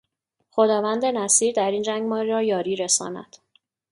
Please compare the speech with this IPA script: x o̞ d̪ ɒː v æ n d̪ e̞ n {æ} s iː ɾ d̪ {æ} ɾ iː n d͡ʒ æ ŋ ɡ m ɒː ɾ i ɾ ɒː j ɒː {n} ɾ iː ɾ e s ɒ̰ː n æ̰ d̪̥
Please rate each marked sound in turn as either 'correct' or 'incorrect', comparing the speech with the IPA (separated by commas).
correct, correct, incorrect